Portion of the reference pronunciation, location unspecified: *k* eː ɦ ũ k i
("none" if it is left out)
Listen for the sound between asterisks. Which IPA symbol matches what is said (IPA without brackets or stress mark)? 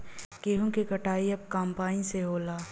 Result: k